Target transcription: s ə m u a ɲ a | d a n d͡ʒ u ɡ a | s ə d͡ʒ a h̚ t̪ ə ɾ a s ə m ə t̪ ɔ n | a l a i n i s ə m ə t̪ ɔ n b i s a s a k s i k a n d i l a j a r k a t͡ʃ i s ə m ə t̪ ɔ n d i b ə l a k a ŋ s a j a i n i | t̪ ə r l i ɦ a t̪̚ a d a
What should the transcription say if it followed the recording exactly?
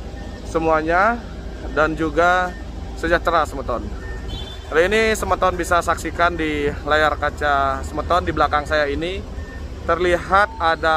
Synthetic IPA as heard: s ə m u a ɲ a | d a n d͡ʒ u ɡ a | s ə d͡ʒ a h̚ t̪ ə ɾ a s ə m ə t̪ ɔ n | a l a i n i s ə m ə t̪ ɔ n b i s a s a k s i k a n d i l a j a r k a t͡ʃ a s ə m ə t̪ ɔ n d i b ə l a k a ŋ s a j a i n i | t̪ ə r l i ɦ a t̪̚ a d a